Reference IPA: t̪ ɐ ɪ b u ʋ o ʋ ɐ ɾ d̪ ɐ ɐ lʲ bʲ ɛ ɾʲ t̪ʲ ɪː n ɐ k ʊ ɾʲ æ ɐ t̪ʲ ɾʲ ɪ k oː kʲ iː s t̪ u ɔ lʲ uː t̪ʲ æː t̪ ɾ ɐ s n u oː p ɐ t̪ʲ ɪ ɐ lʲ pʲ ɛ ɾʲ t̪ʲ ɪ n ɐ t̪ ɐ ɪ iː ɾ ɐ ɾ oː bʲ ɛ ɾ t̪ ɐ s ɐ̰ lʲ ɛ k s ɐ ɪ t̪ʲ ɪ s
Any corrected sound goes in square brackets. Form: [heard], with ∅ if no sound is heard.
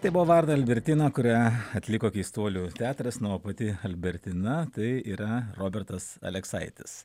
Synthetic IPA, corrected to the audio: t̪ ɐ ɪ b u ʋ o ʋ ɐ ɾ d̪ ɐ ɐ lʲ bʲ ɛ ɾʲ t̪ʲ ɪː n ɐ k ʊ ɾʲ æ ɐ t̪ʲ [lʲ] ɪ k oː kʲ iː s t̪ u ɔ lʲ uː t̪ʲ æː t̪ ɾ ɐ s n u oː p ɐ t̪ʲ ɪ ɐ lʲ [bʲ] ɛ ɾʲ t̪ʲ ɪ n ɐ t̪ ɐ ɪ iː ɾ ɐ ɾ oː bʲ ɛ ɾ t̪ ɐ s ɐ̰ lʲ ɛ k s ɐ ɪ t̪ʲ ɪ s